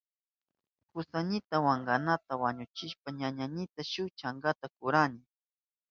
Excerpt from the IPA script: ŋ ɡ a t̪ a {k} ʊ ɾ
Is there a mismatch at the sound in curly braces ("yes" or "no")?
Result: no